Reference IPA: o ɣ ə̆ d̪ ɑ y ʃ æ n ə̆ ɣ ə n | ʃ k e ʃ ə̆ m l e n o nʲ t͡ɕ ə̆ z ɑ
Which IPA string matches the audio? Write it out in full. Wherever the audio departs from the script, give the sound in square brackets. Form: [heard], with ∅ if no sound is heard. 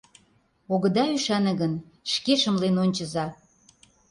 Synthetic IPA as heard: o ɣ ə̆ d̪ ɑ y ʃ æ n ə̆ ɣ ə n | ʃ k e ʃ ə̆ m l e n o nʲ t͡ɕ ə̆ z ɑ